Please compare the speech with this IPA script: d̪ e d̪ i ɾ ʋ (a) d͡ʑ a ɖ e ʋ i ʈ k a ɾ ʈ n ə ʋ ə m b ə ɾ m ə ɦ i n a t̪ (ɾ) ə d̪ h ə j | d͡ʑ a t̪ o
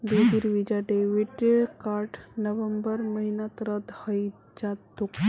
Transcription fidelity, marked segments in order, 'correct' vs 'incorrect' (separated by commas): incorrect, correct